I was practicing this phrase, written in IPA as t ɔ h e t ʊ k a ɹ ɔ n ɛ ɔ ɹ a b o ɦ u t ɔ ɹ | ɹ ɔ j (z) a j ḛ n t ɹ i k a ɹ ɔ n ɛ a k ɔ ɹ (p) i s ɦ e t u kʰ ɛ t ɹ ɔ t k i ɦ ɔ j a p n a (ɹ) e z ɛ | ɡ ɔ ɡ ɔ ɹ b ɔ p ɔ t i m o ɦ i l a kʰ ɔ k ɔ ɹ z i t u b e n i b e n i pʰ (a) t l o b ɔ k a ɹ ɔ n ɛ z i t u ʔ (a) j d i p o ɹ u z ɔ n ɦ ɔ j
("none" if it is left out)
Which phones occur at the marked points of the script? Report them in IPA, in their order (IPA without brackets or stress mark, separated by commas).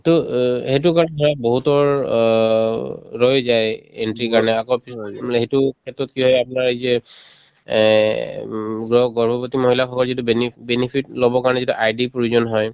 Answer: z, p, ɹ, i, a